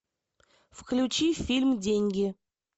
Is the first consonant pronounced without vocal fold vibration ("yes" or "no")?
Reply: yes